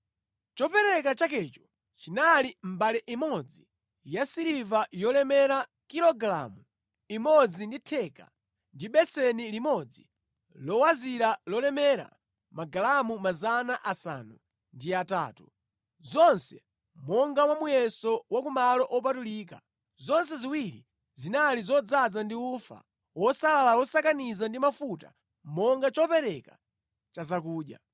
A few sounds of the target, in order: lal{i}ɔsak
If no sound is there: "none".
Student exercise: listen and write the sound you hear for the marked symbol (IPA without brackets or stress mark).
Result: a